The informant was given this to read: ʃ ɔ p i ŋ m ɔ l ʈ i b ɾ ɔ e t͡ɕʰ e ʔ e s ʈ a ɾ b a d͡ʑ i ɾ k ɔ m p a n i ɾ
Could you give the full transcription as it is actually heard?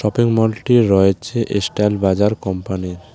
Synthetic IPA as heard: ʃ ɔ p i ŋ m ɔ l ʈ i ɾ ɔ e t͡ɕʰ e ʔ e s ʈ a l b a d͡ʑ a ɾ k ɔ m p a n i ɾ